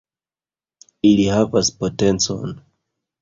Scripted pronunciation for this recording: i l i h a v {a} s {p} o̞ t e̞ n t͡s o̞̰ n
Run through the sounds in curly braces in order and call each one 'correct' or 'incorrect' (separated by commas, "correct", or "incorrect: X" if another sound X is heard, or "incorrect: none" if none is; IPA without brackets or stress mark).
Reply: correct, correct